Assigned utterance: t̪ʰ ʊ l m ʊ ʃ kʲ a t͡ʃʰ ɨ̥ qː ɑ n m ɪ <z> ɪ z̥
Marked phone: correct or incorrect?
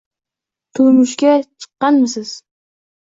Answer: incorrect